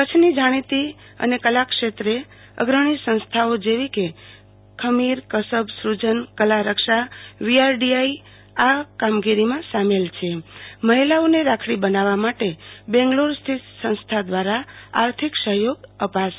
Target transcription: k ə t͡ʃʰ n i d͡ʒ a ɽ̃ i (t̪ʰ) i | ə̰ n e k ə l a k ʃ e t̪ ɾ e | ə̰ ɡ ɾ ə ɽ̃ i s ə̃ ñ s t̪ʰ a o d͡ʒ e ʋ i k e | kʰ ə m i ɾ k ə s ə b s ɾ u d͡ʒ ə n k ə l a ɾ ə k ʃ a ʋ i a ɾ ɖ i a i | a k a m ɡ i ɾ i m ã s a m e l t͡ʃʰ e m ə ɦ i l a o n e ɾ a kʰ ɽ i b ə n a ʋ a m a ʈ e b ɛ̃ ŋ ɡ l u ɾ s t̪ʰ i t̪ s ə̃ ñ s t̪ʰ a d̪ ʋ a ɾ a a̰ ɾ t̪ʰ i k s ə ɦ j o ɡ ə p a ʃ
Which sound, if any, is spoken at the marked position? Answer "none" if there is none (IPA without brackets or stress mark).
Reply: t̪